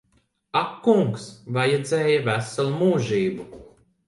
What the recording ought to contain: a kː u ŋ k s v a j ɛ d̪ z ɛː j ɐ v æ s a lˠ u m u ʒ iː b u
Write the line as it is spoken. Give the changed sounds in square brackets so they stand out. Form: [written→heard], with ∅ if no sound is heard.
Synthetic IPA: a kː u ŋ k s v a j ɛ d̪ z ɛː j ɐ v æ s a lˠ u m [u→uː] ʒ iː b u